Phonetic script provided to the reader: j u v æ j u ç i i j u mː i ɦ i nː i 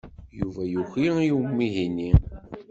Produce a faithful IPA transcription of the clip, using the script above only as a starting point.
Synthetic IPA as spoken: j u v æ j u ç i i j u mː i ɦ i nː i